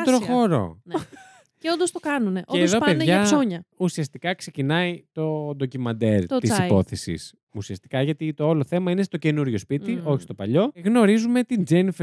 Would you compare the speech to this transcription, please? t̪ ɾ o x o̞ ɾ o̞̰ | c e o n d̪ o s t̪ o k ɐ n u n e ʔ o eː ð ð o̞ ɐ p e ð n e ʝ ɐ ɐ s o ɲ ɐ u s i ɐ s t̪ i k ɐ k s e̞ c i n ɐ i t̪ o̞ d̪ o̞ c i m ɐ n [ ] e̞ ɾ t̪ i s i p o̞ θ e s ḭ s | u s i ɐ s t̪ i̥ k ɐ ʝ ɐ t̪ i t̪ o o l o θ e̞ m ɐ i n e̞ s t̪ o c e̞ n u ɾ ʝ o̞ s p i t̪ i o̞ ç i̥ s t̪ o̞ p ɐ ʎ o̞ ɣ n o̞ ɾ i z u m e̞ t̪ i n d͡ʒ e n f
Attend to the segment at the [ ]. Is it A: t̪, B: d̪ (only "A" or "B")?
B